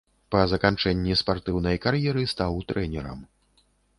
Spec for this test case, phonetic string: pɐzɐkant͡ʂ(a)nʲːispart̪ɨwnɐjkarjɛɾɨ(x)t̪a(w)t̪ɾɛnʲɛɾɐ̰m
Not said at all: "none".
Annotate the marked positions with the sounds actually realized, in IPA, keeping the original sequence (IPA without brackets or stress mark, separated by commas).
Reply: ɛ, s, w